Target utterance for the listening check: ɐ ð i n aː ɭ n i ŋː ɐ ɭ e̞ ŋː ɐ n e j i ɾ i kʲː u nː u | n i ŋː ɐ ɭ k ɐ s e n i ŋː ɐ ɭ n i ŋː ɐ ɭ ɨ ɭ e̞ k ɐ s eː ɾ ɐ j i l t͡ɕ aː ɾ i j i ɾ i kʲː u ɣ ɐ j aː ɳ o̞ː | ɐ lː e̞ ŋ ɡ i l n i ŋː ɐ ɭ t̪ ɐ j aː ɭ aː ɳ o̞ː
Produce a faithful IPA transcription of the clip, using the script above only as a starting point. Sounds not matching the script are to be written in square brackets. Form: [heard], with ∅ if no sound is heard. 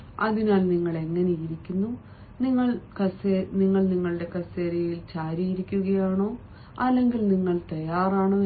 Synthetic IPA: ɐ ð i n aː [l] n i ŋː ɐ ɭ e̞ ŋː ɐ n e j i ɾ i kʲː u nː u | n i ŋː ɐ ɭ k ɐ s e n i ŋː ɐ ɭ n i ŋː ɐ ɭ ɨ [ɽ] e̞ k ɐ s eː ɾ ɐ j i l t͡ɕ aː ɾ i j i ɾ i kʲː u ɣ ɐ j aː ɳ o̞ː | ɐ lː e̞ ŋ ɡ i l n i ŋː ɐ ɭ t̪ ɐ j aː [r] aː ɳ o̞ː